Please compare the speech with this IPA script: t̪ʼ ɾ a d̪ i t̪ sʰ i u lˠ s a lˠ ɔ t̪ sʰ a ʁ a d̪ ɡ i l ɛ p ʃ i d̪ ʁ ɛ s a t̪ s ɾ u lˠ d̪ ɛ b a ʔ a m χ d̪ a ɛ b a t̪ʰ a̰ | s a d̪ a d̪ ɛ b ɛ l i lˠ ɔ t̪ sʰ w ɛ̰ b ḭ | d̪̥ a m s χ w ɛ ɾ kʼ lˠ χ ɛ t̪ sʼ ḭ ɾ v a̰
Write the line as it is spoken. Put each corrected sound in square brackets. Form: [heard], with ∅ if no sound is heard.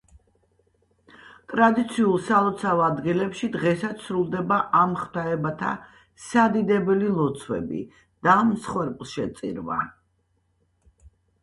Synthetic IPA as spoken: t̪ʼ ɾ a d̪ i t̪ sʰ i u lˠ s a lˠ ɔ t̪ sʰ a [v] a d̪ ɡ i l ɛ p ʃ i d̪ ʁ ɛ s a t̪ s ɾ u lˠ d̪ ɛ b a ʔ a m χ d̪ a ɛ b a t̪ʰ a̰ | s a d̪ [i] d̪ ɛ b ɛ l i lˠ ɔ t̪ sʰ w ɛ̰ b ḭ | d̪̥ a m s χ w ɛ ɾ [pʼ] lˠ [ʃ] ɛ t̪ sʼ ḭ ɾ v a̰